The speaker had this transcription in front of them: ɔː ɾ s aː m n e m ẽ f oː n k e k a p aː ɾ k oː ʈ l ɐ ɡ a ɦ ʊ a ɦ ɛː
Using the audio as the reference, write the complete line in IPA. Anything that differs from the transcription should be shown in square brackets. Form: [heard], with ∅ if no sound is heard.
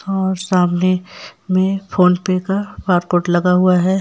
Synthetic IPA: ɔː ɾ s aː m n e m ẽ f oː n [p] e k a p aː ɾ k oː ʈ l ɐ ɡ a ɦ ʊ a ɦ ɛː